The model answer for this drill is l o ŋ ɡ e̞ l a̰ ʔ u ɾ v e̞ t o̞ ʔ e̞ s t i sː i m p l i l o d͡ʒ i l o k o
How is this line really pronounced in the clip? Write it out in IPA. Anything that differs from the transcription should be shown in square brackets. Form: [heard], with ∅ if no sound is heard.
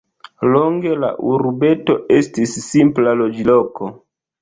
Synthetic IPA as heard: l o ŋ ɡ e̞ l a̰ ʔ u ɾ [b] e̞ t o̞ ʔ e̞ s t i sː i m p l [a] l o d͡ʒ i l o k o